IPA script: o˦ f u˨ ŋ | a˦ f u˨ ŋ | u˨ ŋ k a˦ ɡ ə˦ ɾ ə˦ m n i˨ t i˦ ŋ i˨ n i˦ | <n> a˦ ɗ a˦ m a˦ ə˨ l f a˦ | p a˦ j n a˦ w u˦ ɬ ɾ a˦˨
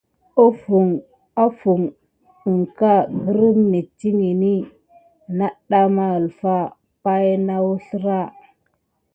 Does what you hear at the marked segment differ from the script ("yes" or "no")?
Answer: no